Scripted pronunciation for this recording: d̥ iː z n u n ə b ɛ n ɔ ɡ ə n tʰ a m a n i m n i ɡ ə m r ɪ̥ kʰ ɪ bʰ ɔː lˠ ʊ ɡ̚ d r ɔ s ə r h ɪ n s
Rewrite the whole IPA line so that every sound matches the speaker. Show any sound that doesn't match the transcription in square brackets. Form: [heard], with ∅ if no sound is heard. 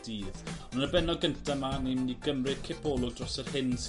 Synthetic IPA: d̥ iː [ð] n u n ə b ɛ n ɔ ɡ ə n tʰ a m a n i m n i ɡ ə m r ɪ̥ kʰ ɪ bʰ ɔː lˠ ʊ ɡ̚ d r ɔ s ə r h ɪ n s